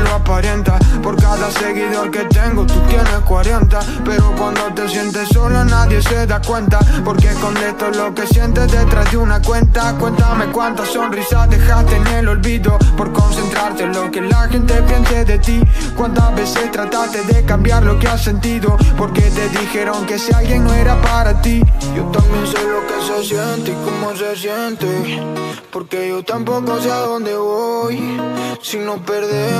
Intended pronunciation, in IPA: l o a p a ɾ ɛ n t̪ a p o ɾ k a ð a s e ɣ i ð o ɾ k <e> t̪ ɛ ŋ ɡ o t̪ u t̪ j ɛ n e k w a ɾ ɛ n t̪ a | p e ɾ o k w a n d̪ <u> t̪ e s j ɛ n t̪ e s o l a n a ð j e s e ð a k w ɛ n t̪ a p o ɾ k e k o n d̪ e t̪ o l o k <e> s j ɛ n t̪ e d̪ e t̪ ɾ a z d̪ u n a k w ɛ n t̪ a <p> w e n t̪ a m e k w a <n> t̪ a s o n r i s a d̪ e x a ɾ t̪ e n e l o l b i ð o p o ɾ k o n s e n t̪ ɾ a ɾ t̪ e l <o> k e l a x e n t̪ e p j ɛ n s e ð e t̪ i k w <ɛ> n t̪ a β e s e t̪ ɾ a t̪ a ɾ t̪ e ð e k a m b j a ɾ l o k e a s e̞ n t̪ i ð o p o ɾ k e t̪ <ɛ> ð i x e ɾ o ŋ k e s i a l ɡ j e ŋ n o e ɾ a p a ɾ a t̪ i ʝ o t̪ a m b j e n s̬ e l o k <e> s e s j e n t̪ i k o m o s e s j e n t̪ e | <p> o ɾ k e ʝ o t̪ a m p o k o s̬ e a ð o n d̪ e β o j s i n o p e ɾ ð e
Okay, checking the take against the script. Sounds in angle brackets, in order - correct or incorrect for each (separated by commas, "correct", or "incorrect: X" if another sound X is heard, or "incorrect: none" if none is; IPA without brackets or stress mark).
correct, incorrect: o, correct, incorrect: k, correct, correct, incorrect: a, incorrect: e, correct, correct